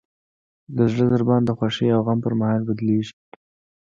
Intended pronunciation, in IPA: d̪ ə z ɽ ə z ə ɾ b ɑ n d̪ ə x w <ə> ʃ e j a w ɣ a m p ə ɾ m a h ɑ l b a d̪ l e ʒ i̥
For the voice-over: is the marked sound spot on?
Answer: no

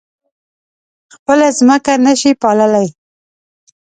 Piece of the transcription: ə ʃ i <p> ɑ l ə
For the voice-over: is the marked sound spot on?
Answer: yes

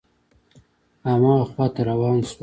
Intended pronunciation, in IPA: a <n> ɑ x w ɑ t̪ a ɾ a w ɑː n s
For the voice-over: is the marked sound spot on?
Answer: no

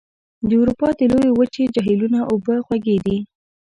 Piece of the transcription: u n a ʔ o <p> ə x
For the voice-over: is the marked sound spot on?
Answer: no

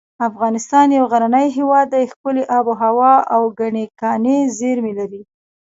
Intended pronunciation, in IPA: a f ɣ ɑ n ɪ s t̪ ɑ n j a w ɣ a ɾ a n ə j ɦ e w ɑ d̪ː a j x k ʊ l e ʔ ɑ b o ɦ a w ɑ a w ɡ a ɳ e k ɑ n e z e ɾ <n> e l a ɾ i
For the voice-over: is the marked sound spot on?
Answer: no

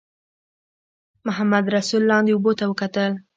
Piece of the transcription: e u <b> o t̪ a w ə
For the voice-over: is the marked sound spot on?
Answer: yes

